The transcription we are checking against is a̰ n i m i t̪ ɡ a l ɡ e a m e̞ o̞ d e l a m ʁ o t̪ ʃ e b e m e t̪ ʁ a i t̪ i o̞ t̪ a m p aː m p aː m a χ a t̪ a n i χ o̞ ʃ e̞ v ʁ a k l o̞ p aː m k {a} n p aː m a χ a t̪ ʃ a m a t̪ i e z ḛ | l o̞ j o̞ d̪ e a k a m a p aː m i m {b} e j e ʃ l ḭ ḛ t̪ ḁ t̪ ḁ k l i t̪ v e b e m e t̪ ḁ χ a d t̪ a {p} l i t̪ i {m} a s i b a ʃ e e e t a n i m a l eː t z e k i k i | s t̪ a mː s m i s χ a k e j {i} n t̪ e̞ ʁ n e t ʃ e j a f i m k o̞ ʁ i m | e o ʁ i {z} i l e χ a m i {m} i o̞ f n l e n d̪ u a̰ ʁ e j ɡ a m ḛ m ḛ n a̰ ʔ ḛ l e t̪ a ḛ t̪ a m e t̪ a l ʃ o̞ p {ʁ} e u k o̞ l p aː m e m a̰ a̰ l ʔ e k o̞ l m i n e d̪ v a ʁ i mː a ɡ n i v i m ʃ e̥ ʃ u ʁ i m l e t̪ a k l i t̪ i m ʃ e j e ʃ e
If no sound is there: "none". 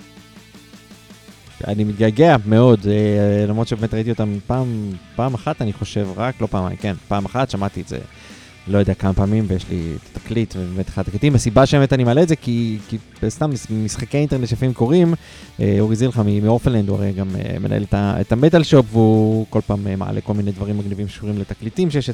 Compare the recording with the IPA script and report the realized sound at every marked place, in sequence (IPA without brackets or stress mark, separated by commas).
e, v, k, m, i, z, m, v